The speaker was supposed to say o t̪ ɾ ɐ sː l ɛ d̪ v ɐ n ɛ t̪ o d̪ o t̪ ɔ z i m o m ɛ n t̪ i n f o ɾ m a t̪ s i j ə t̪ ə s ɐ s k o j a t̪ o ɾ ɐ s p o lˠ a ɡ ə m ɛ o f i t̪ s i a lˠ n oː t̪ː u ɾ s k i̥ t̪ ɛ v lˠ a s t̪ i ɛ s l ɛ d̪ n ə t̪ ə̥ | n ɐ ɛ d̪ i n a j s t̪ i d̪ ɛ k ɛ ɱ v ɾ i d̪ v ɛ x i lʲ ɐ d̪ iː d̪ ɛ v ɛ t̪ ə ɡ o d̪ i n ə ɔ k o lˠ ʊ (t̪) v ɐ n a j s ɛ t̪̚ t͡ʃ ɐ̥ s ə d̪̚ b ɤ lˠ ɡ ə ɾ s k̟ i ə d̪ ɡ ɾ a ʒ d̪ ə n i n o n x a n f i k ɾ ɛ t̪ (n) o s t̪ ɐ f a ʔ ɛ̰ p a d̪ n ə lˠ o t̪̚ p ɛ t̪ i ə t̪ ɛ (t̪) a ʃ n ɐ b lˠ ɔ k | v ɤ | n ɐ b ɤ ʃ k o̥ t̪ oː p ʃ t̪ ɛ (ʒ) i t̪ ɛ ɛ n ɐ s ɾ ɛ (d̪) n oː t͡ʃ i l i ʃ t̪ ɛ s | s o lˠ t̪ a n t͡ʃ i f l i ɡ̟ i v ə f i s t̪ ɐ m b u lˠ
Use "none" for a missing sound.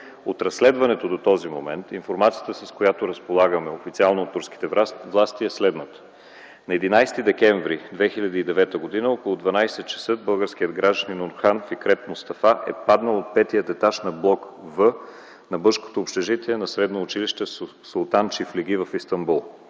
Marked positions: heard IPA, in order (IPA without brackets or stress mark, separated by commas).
d̪, m, t̪, ʒ, d̪